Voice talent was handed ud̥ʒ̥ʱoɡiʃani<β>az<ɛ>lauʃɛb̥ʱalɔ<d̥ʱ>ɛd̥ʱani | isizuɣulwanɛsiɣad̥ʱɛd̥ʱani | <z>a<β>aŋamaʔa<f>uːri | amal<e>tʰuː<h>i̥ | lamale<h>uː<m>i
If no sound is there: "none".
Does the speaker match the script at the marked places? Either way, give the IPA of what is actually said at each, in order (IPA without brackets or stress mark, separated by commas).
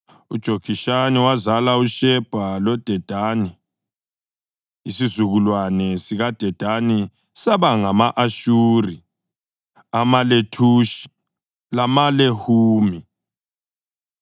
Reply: w, a, d̥ʱ, s, β, ʃ, e, ʃ, h, m